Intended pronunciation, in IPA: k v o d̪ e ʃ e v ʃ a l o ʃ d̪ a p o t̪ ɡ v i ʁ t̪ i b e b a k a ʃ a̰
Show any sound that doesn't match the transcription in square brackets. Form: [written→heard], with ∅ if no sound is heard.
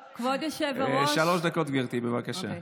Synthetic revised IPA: k v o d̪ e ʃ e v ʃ a l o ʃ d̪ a [p→k] o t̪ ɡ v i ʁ t̪ i b e [b→v] a k a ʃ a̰